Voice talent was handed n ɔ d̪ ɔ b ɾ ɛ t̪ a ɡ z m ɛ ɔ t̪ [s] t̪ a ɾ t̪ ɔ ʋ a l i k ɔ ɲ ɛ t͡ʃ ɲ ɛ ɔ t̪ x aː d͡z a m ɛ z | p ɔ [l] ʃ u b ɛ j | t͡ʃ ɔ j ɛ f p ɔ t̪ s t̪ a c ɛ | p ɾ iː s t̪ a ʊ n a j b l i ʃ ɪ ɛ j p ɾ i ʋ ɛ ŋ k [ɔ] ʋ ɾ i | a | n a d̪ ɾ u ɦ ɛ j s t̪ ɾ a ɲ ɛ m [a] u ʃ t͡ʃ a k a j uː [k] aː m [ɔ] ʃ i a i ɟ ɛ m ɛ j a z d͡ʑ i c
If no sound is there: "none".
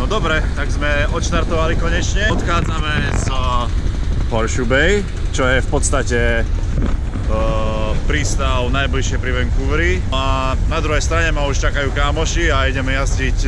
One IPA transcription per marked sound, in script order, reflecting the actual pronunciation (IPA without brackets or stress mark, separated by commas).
ʃ, ɾ, u, a, k, ɔ